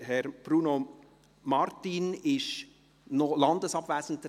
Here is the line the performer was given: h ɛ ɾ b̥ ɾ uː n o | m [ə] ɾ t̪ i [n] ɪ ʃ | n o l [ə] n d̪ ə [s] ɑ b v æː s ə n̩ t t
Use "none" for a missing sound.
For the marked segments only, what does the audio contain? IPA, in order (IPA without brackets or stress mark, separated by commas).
ɑ, n, ɑ, s